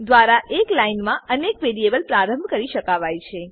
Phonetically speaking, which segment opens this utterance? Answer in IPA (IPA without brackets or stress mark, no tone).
d̪